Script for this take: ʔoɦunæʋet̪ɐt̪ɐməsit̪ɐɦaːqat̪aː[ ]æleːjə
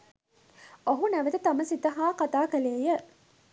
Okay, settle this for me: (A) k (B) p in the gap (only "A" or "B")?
A